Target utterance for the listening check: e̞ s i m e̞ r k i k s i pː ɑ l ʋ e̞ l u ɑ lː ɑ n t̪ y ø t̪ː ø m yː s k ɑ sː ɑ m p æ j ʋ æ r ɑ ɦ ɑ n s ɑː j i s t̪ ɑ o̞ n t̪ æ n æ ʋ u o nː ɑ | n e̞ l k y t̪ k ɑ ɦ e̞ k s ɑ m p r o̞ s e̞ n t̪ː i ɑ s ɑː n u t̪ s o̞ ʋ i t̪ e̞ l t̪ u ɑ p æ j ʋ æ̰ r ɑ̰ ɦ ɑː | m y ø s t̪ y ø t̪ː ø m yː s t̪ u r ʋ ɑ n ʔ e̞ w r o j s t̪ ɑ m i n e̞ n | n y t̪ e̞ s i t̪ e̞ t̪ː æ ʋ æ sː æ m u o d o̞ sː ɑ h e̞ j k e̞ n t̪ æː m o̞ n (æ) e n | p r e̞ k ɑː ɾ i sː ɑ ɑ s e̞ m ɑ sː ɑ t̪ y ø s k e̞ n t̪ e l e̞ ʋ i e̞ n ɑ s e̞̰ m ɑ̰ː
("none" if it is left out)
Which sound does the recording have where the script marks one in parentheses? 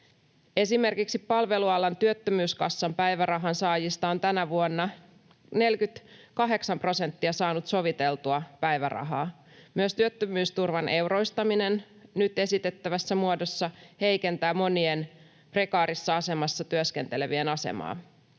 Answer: i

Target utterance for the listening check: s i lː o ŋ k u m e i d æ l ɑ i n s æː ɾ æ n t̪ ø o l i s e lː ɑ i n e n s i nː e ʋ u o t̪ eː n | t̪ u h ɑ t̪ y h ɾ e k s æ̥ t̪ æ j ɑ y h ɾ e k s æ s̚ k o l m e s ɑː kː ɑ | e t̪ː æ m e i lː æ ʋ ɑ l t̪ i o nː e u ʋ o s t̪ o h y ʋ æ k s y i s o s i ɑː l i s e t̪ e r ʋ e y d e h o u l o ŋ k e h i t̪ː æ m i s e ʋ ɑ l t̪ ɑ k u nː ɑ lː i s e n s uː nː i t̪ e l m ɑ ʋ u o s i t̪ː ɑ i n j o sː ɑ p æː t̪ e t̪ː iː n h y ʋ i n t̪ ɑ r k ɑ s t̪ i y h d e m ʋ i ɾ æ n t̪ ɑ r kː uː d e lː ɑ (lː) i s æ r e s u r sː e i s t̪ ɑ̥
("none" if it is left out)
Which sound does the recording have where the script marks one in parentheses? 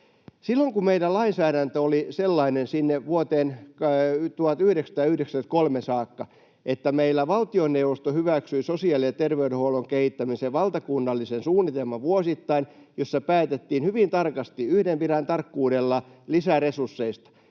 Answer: l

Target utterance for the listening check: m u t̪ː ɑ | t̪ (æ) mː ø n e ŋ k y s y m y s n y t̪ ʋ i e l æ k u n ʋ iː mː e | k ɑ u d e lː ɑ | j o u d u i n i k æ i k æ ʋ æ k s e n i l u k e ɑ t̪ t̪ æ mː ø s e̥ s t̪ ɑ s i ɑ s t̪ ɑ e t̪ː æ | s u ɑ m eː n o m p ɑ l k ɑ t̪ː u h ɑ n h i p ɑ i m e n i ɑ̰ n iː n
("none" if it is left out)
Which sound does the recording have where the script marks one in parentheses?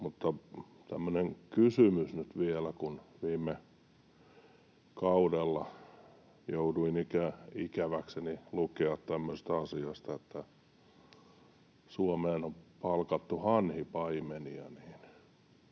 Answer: æ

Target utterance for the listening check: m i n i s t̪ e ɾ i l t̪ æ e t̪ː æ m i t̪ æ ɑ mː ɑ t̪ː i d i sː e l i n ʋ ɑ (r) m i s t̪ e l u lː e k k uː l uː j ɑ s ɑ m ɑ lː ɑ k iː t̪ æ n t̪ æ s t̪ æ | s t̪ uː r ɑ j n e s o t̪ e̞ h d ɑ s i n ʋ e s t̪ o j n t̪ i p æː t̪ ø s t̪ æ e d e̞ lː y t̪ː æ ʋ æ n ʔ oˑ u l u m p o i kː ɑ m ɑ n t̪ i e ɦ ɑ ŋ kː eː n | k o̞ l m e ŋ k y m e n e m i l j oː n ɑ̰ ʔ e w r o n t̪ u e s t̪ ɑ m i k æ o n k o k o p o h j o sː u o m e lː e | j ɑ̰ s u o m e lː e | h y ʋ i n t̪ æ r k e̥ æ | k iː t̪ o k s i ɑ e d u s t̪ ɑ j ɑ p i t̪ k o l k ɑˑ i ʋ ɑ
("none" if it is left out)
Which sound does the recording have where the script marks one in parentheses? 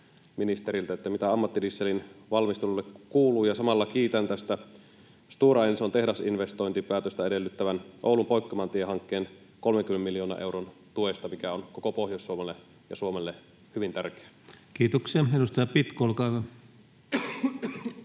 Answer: l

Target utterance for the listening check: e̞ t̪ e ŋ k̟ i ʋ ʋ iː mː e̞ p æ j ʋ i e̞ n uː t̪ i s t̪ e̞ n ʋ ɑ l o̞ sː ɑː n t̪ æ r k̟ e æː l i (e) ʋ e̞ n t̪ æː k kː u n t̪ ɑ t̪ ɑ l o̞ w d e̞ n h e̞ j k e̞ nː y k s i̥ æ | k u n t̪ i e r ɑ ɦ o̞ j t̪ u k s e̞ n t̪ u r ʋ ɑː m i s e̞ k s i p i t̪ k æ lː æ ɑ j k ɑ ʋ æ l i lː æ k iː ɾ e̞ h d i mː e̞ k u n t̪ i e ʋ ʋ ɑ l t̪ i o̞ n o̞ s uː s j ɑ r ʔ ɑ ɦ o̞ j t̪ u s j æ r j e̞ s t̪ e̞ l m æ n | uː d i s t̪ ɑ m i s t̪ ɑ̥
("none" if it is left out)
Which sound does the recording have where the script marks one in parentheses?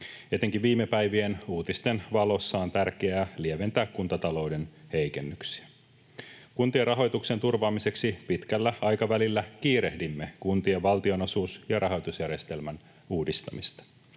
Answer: e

